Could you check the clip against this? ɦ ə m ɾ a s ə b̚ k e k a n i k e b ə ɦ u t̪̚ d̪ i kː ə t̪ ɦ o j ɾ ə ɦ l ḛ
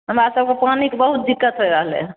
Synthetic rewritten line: ɦ ə m ɾ a s ə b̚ k e p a n i k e b ə ɦ u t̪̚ d̪ i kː ə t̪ ɦ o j ɾ ə ɦ l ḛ